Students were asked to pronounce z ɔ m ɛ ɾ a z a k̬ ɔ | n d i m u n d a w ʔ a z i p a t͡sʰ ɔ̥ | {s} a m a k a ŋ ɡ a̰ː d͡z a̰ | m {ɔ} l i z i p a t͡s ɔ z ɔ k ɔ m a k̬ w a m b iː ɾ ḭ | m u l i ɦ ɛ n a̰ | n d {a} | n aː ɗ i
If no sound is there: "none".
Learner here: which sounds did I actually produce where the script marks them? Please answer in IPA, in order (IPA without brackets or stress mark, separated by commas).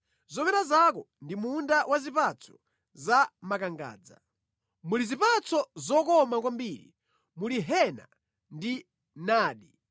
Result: z, u, i